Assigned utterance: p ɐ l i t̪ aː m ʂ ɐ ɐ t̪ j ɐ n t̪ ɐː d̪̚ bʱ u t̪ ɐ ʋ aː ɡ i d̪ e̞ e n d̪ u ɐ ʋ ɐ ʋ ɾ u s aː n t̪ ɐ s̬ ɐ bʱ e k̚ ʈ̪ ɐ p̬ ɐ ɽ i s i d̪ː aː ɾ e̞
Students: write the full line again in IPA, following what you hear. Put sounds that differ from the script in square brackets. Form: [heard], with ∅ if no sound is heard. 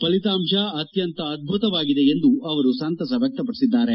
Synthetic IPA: p ɐ l i t̪ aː m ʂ ɐ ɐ t̪ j ɐ n t̪ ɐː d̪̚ bʱ u t̪ ɐ ʋ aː ɡ i d̪ e̞ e n d̪ u ɐ ʋ ɐ [∅] ɾ u s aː n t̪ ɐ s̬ ɐ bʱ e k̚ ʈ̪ ɐ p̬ ɐ ɽ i s i d̪ː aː ɾ e̞